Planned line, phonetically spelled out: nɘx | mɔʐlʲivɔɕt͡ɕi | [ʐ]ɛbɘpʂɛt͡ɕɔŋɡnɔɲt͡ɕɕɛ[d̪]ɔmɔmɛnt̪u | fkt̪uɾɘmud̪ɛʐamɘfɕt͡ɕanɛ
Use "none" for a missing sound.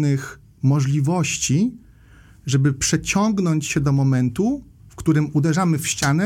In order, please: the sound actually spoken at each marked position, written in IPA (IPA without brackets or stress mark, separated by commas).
ʐ, d̪